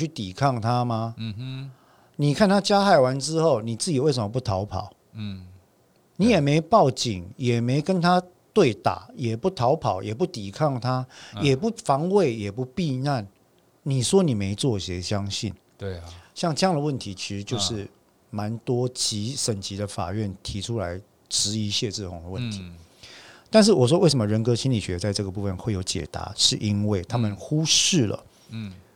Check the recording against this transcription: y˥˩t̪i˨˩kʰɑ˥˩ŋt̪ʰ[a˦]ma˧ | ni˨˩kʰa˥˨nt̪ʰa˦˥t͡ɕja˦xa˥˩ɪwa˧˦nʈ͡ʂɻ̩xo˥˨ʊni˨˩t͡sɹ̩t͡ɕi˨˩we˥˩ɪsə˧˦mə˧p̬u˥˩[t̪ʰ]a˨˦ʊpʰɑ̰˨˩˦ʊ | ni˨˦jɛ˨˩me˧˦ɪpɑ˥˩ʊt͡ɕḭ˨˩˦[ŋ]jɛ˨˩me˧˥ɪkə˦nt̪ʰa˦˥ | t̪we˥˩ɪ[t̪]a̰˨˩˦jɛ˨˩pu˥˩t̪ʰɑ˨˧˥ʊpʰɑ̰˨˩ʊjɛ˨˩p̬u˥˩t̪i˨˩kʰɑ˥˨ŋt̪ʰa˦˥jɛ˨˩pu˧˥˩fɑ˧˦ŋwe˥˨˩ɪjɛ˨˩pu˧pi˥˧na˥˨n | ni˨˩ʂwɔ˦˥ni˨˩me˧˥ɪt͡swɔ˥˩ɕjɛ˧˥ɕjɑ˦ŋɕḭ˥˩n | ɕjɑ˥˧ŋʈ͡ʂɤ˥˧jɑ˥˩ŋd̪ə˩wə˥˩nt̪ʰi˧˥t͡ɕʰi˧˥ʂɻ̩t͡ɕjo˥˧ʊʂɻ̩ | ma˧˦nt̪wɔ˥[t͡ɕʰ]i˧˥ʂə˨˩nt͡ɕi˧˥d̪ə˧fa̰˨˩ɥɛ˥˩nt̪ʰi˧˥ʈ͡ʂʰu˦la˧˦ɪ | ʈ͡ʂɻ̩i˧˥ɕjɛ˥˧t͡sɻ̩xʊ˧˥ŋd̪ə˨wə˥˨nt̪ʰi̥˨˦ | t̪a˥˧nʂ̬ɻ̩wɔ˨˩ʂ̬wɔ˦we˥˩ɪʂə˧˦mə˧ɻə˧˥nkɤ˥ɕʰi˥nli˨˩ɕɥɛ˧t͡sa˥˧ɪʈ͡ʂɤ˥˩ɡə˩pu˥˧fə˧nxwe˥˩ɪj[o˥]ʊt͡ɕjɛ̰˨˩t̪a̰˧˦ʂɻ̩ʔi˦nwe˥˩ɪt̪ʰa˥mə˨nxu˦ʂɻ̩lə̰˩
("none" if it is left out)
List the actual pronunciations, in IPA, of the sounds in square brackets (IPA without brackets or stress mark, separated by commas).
a˦, t̪ʰ, ŋ, t̪, t͡ɕ, o˧˥